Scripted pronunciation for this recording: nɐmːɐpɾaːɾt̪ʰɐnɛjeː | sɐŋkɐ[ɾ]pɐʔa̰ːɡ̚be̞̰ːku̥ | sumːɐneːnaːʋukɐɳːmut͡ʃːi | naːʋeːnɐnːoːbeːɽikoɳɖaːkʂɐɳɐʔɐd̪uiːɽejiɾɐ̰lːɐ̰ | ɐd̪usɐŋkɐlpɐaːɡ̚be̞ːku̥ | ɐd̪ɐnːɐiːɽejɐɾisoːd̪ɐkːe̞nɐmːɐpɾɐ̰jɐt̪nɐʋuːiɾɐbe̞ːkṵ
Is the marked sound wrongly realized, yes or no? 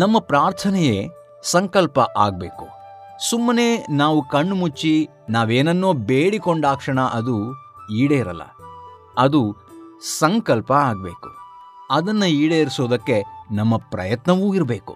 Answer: yes